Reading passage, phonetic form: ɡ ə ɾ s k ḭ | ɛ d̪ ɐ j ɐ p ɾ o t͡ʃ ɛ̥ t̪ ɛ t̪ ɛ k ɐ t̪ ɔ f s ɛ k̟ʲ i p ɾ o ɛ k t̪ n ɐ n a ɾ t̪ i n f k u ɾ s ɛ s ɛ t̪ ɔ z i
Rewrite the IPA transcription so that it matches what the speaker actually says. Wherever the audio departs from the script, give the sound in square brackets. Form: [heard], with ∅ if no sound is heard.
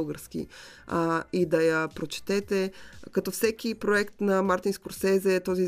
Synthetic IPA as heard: ɡ ə ɾ s k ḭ | [i] d̪ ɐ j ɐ p ɾ o t͡ʃ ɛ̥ t̪ ɛ t̪ ɛ k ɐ t̪ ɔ f s ɛ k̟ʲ i p ɾ o ɛ k t̪ n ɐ [m] a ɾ t̪ i n [s] k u ɾ s ɛ [z] ɛ t̪ ɔ z i